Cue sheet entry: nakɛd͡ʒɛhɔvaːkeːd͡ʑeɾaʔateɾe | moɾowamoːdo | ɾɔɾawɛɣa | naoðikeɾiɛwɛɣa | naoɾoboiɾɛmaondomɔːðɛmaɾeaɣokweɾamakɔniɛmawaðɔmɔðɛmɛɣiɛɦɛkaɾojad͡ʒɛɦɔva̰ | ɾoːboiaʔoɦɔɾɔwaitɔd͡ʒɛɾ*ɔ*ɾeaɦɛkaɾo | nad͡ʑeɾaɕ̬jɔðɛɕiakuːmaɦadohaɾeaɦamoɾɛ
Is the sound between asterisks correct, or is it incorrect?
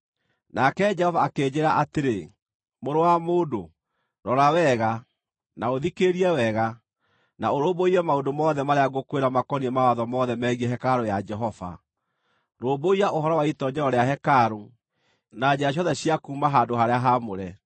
correct